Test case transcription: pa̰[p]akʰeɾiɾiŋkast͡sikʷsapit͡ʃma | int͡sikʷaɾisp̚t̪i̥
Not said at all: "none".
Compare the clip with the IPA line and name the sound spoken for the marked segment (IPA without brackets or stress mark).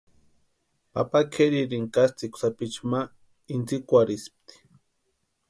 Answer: p